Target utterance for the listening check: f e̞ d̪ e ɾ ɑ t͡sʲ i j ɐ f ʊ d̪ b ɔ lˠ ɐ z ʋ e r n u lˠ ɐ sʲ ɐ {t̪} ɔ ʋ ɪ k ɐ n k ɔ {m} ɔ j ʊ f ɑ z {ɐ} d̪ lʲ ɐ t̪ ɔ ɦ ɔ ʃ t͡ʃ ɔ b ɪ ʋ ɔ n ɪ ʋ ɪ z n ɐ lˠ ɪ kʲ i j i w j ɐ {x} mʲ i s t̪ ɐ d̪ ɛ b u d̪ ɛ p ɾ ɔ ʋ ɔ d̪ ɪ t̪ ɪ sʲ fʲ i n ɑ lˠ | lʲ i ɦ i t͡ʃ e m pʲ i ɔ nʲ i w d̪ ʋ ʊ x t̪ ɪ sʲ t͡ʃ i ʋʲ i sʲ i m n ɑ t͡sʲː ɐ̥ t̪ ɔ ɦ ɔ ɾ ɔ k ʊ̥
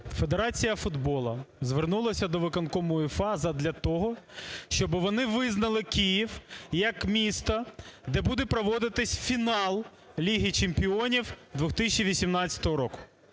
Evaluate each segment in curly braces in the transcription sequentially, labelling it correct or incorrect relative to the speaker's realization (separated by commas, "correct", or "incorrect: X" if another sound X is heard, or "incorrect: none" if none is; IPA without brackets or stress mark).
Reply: incorrect: d̪, correct, correct, incorrect: k